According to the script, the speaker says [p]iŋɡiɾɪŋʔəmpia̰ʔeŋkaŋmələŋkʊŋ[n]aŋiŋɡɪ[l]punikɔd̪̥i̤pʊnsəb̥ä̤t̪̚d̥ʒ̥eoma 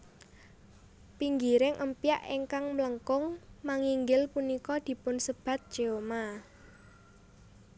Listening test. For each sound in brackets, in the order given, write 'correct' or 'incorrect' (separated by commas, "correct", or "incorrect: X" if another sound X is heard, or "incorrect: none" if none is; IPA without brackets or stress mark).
correct, incorrect: m, correct